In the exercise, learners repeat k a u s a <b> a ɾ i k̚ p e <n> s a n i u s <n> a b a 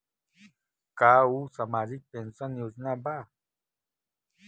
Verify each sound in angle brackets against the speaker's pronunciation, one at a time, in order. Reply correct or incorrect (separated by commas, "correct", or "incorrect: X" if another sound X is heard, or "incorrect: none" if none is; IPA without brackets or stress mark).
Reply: incorrect: m, correct, correct